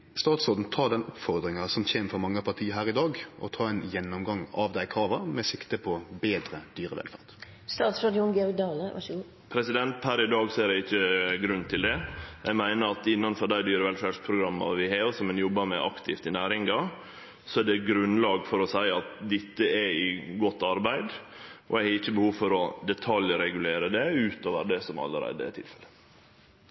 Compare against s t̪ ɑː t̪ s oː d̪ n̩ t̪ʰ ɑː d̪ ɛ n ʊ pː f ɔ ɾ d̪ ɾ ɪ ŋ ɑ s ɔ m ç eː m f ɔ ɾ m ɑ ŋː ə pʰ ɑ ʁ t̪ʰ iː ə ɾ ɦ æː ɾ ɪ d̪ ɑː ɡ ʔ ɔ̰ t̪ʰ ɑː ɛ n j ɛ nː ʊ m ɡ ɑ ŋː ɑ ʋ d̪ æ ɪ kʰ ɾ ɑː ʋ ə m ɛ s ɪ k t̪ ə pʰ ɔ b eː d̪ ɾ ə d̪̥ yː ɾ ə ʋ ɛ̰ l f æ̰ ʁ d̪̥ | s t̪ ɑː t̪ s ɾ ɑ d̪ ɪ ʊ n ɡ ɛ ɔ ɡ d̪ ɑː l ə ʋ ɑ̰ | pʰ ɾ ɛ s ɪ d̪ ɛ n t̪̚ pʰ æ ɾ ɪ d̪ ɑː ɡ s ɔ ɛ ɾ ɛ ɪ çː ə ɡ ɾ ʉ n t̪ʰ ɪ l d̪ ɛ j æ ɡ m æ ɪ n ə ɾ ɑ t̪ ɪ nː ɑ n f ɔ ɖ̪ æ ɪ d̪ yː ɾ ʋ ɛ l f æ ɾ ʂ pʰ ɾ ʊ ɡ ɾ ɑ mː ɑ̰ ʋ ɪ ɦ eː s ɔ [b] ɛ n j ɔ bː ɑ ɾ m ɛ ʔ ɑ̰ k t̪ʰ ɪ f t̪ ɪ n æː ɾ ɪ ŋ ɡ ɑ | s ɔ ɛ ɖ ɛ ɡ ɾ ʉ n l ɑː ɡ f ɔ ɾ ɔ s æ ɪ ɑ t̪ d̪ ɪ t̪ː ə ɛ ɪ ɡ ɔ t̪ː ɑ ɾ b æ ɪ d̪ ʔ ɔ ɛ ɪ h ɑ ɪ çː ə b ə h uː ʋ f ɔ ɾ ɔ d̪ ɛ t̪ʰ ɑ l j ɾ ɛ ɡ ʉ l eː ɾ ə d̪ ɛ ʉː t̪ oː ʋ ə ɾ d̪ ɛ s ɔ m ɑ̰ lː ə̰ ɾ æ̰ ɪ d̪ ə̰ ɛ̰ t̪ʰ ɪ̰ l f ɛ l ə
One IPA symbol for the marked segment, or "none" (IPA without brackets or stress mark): m